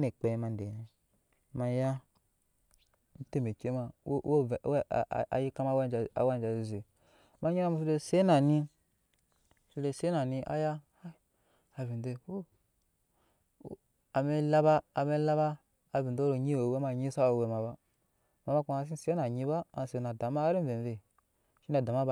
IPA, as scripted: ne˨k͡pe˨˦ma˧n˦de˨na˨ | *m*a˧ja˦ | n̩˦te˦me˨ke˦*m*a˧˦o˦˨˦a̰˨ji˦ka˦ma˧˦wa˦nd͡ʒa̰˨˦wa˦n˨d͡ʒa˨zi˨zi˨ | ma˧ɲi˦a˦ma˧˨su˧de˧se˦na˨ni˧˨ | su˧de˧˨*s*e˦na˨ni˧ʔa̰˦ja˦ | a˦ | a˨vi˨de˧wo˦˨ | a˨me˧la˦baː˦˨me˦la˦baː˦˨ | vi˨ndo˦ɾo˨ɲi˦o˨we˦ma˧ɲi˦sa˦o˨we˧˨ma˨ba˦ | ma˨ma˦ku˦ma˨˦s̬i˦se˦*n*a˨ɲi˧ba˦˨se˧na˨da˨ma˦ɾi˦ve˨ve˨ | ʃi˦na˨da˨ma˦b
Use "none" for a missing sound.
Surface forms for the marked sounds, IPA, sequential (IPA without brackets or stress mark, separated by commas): m, m, s, n